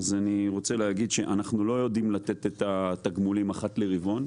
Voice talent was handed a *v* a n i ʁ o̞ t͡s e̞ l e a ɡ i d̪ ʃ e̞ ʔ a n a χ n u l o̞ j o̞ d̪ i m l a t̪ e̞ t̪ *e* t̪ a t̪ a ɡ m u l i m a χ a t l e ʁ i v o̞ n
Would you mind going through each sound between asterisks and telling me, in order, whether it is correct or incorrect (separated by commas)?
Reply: incorrect, correct